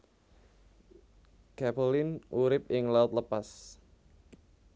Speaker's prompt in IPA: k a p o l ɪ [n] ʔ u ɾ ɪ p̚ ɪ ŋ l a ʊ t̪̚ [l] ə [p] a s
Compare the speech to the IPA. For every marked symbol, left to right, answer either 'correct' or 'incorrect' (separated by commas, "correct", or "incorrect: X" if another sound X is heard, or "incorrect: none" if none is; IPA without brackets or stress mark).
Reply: correct, correct, correct